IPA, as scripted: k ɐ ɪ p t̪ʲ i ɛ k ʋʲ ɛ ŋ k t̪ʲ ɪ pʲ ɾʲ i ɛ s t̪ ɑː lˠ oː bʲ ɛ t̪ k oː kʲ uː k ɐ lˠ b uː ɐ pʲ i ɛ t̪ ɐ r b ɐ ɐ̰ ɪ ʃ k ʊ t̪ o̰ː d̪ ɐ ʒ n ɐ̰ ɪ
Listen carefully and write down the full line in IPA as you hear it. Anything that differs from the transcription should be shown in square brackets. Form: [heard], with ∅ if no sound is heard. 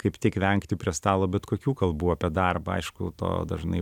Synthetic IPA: k ɐ ɪ p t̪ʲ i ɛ k ʋʲ ɛ ŋ k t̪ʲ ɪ pʲ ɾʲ i ɛ s t̪ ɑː lˠ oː bʲ ɛ t̪ k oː kʲ uː k ɐ lˠ b uː ɐ pʲ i ɛ [d̪] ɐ r b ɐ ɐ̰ ɪ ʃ k ʊ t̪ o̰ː d̪ ɐ ʒ n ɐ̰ ɪ